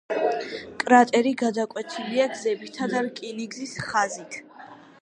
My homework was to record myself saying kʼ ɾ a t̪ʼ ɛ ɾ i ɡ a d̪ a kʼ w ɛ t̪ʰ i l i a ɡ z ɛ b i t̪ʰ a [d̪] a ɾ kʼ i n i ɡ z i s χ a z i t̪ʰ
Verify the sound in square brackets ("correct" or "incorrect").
correct